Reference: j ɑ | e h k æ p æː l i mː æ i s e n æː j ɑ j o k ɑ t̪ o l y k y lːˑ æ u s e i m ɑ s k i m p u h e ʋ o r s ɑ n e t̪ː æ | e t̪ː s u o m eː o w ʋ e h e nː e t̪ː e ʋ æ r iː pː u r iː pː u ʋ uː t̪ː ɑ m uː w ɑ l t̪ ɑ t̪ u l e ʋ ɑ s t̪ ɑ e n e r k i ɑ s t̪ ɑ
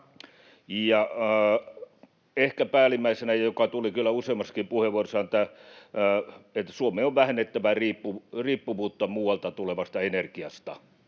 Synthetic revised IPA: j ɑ | e h k æ p æː l i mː æ i s e n æ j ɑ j o k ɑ t̪ u l i k y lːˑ æ u s e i m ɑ s k i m p u h e ʋ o r s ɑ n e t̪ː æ | e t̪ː s u o m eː o ʋ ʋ æ h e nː e t̪ː æ ʋ æ r iː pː u r iː pː u ʋ uː t̪ː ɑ m uː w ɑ l t̪ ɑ t̪ u l e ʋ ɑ s t̪ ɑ e n e r k i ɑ s t̪ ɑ